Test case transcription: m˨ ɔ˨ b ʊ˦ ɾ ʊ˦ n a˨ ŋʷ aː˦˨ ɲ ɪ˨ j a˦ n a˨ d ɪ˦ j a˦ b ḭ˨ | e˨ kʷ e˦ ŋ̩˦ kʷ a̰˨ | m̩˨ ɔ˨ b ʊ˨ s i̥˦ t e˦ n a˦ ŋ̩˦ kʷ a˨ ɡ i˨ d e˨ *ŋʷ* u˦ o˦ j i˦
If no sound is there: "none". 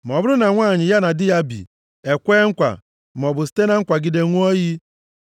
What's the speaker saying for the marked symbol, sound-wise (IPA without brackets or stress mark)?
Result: ŋʷ